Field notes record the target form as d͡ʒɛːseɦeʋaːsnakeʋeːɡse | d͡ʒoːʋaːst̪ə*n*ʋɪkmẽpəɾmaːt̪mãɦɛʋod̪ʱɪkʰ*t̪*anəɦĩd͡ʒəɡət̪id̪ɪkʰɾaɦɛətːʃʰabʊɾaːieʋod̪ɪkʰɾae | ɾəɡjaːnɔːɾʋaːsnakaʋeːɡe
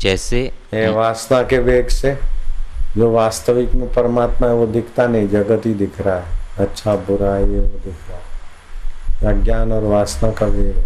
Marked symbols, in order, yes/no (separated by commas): no, yes